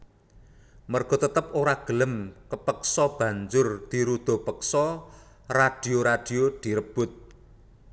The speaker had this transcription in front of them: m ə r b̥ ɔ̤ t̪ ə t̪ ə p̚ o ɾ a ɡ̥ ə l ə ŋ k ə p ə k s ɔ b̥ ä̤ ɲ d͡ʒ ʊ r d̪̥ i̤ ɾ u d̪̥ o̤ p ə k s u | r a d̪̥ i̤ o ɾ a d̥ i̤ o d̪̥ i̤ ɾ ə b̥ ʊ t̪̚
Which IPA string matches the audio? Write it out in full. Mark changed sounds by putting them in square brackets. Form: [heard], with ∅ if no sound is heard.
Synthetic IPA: m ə r [ɡ̥] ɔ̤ t̪ ə t̪ ə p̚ o ɾ a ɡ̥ ə l ə [m] k ə p ə k s ɔ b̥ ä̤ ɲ d͡ʒ ʊ r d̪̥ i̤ ɾ u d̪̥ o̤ p ə k s [ɔ] | r a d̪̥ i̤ o ɾ a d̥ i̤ o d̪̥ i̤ ɾ ə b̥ ʊ t̪̚

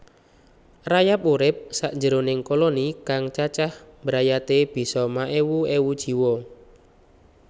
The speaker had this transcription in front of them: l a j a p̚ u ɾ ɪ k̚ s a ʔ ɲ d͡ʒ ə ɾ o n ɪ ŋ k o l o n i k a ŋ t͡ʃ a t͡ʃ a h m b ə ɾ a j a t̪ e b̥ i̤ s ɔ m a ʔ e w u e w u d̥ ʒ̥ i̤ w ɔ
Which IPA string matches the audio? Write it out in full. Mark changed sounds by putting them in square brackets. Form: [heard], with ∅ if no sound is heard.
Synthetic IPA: [r] a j a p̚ u ɾ ɪ [p̚] s a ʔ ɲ d͡ʒ ə ɾ o n ɪ ŋ k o l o n i k a ŋ t͡ʃ a t͡ʃ a h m b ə ɾ a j a t̪ e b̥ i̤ s ɔ m a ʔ e w u e w u d̥ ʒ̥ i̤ w ɔ

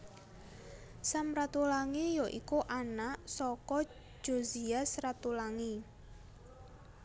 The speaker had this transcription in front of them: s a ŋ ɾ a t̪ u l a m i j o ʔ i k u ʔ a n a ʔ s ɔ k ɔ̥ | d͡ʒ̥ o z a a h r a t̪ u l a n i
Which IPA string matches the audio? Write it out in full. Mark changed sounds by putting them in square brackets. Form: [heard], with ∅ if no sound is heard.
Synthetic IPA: s a [m] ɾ a t̪ u l a [ŋ] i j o ʔ i k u ʔ a n a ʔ s ɔ k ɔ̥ | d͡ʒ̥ o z [i] a [s] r a t̪ u l a [ŋ] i

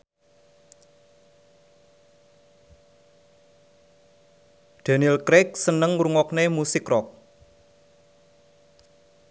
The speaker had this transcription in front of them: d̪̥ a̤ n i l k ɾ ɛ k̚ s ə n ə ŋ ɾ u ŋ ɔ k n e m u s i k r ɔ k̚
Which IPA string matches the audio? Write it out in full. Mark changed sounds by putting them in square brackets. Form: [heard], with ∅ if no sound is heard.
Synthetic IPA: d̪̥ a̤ n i l k ɾ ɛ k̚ s ə n ə ŋ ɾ u ŋ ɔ k n e m u s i k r ɔ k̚

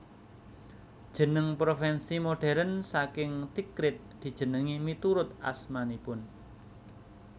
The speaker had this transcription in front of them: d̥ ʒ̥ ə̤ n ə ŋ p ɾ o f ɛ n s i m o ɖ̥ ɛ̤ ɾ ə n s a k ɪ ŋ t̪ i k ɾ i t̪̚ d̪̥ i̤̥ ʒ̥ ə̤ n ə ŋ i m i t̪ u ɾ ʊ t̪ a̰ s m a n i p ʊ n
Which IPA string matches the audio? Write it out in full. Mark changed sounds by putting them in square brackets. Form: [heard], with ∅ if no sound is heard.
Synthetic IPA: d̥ ʒ̥ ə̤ n ə ŋ p ɾ o f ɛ n s i m o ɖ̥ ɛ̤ ɾ ə n s a k ɪ ŋ t̪ i k ɾ [ɪ] t̪̚ d̪̥ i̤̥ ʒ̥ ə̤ n ə ŋ i m i t̪ u ɾ ʊ t̪ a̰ s m a n i p ʊ n

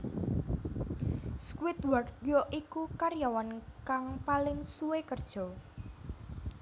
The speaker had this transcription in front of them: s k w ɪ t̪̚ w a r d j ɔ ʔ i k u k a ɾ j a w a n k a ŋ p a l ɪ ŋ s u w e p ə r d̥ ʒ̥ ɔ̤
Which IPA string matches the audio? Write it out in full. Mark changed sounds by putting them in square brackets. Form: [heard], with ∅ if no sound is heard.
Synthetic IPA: s k w ɪ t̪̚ w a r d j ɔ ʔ i k u k a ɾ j a w a n k a ŋ p a l ɪ ŋ s u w e [k] ə r d̥ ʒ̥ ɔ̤

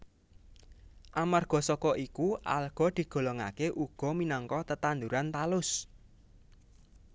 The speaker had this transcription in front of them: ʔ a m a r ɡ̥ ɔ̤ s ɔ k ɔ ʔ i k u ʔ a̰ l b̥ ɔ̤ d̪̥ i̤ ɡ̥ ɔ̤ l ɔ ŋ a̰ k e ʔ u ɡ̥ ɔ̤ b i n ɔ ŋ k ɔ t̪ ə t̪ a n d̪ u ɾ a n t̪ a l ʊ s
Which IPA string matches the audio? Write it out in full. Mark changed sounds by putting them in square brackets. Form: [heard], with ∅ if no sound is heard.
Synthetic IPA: ʔ a m a r ɡ̥ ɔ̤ s ɔ k ɔ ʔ i k u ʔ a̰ l [ɡ̥] ɔ̤ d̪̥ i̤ ɡ̥ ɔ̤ l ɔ ŋ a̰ k e ʔ u ɡ̥ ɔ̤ [m] i n ɔ ŋ k ɔ t̪ ə t̪ a n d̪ u ɾ a n t̪ a l ʊ s

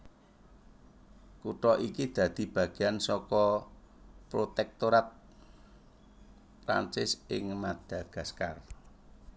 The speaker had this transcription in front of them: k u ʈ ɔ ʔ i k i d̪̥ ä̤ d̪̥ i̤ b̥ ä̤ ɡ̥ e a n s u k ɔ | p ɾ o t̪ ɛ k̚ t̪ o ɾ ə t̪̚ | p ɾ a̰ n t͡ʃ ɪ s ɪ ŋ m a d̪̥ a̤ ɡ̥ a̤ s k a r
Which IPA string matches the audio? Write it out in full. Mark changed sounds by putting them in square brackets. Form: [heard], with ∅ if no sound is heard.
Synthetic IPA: k u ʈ ɔ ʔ i k i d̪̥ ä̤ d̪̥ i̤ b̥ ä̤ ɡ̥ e a n s [ɔ] k ɔ | p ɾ o t̪ ɛ k̚ t̪ o ɾ [a] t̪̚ | p ɾ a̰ n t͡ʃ ɪ s ɪ ŋ m a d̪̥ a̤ ɡ̥ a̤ s k a r

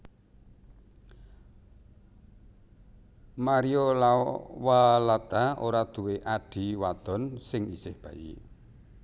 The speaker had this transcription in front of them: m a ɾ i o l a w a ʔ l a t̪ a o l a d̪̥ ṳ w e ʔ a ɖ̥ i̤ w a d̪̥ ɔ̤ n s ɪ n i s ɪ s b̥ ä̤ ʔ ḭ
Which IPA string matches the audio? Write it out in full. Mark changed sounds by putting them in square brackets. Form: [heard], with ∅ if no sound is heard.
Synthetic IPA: m a ɾ i o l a w a [∅] l a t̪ a o [ɾ] a d̪̥ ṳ w e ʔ a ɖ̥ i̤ w a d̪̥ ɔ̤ n s ɪ [ŋ] i s ɪ [h] b̥ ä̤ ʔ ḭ

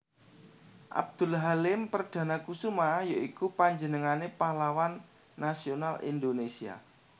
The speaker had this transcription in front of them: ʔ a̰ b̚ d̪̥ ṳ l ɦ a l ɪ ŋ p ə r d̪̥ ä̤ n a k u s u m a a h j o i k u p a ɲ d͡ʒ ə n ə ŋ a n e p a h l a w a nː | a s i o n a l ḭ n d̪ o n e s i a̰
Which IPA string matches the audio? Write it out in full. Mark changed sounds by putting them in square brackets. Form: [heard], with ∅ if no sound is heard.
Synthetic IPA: ʔ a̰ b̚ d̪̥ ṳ l ɦ a l ɪ [m] p ə r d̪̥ ä̤ n a k u s u m a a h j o i k u p a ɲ d͡ʒ ə n ə ŋ a n e p a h l a w a nː | a s i o n a l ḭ n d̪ o n e s i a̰

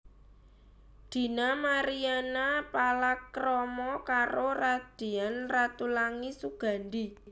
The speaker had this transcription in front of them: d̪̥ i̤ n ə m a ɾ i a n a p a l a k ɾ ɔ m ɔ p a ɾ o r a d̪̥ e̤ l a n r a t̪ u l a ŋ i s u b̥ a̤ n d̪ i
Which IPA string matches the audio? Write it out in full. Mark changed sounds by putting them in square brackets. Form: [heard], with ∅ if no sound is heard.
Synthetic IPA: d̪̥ i̤ n [a] m a ɾ i a n a p a l a k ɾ ɔ m ɔ [k] a ɾ o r a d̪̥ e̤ [∅] a n r a t̪ u l a ŋ i s u [ɡ̥] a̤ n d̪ i

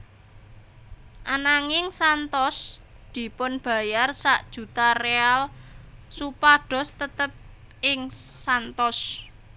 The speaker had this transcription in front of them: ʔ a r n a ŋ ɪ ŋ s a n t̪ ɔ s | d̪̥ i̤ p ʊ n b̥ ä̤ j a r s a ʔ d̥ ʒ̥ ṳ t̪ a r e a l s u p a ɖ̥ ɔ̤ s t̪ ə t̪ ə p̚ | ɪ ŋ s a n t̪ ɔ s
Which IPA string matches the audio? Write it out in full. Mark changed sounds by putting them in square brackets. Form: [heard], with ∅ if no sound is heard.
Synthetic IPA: ʔ a [∅] n a ŋ ɪ ŋ s a n t̪ ɔ s | d̪̥ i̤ p ʊ n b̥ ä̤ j a r s a ʔ d̥ ʒ̥ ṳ t̪ a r e a l s u p a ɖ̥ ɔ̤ s t̪ ə t̪ ə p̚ | ɪ ŋ s a n t̪ ɔ s

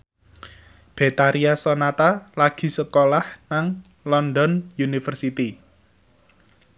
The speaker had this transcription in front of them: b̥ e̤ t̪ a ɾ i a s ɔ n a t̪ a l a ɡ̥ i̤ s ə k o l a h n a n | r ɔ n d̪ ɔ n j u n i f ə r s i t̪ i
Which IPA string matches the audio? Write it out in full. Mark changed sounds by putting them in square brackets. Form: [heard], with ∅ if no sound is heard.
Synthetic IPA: b̥ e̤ t̪ a ɾ i a s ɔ n a t̪ a l a ɡ̥ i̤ s ə k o l a h n a [ŋ] | [l] ɔ n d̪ ɔ n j u n i f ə r s i t̪ i

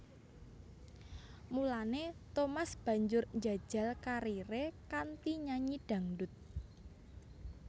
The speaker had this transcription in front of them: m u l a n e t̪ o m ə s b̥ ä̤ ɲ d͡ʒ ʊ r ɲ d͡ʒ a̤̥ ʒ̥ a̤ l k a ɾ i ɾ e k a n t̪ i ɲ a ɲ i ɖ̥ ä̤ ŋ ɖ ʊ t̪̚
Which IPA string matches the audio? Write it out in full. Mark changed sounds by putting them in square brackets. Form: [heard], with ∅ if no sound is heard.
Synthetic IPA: m u l a n e t̪ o m [a] s b̥ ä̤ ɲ d͡ʒ ʊ r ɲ d͡ʒ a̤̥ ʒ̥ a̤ l k a ɾ i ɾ e k a n t̪ i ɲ a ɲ i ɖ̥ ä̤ ŋ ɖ ʊ t̪̚

